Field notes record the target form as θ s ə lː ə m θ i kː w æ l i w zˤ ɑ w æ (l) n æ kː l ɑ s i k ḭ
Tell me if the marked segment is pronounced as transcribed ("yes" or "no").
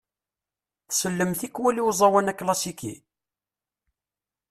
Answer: no